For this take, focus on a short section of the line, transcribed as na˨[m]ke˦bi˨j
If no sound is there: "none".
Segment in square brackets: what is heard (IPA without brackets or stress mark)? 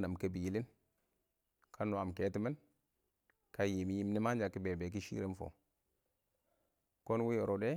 m